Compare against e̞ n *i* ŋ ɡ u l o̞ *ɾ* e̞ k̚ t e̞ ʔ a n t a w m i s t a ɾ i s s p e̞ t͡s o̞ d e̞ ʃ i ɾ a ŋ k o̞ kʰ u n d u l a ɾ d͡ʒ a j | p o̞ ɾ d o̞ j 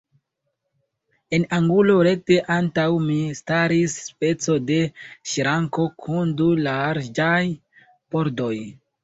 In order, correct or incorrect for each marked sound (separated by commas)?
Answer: incorrect, correct